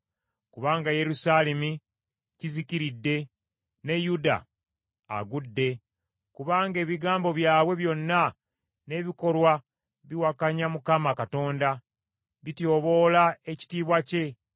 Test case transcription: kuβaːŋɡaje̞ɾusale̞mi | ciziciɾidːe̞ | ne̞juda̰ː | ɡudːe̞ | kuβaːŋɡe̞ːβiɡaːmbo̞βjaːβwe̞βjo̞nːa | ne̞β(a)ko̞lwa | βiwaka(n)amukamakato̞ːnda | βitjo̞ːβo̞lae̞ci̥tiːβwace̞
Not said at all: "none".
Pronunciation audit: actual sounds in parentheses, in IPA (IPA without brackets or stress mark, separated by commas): i, ɲ